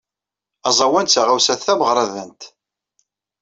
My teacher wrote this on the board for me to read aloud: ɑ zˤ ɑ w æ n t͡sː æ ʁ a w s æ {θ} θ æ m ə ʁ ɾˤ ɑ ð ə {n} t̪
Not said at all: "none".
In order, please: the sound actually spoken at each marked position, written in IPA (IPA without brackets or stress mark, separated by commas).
θ, n